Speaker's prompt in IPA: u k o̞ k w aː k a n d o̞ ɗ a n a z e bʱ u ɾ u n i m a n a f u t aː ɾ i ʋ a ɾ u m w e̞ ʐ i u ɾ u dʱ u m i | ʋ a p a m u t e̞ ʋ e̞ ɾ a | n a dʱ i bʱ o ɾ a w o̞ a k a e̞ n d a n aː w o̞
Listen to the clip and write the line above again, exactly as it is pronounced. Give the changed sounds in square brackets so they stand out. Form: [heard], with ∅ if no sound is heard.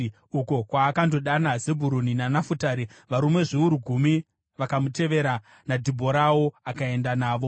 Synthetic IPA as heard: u k o̞ k w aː k a n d o̞ ɗ a n a z e bʱ u ɾ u n i [n] a n a f u t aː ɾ i ʋ a ɾ u m w e̞ ʐ i u ɾ u [ɡʱ] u m i | ʋ a [k] a m u t e̞ ʋ e̞ ɾ a | n a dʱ i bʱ o ɾ a w o̞ a k a e̞ n d a n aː [ʋ] o̞